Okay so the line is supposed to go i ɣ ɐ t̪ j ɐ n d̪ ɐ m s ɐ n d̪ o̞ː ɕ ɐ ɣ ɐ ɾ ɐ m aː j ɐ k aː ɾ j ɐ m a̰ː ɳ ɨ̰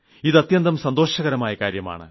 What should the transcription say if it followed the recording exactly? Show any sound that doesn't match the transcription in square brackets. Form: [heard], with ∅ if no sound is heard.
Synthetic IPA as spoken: i [ð] ɐ t̪ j ɐ n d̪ ɐ m s ɐ n d̪ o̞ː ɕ ɐ ɣ ɐ ɾ ɐ m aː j ɐ k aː ɾ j ɐ m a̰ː ɳ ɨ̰